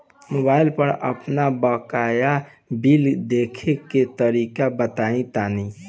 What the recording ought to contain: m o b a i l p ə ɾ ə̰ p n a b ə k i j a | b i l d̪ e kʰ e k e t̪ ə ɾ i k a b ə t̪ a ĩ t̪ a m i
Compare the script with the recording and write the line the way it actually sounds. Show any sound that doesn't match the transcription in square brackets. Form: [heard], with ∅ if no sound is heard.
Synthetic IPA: m o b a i l p ə ɾ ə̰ p n a b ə k [a] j a | b i l d̪ e kʰ e k e t̪ ə ɾ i k a b ə t̪ a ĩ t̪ a [n] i